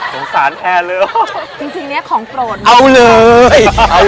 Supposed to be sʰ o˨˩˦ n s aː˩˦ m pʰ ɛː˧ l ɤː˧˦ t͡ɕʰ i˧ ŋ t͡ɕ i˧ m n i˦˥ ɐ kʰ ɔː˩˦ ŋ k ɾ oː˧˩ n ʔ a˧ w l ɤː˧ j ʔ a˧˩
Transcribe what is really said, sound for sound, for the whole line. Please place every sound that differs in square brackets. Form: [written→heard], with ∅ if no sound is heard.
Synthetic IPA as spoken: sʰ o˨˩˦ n s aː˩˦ [m→n] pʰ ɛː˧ l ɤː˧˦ [t͡ɕʰ→t͡ɕ] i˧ ŋ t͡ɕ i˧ [m→ŋ] n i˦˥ ɐ kʰ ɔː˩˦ ŋ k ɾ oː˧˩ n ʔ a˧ w l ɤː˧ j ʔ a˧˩